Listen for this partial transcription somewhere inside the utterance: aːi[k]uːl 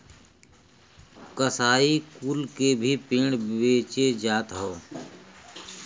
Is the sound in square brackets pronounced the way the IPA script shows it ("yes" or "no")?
yes